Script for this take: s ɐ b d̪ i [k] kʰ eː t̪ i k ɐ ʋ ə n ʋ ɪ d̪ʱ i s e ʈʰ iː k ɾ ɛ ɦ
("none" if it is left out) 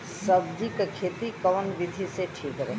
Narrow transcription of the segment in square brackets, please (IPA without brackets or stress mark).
k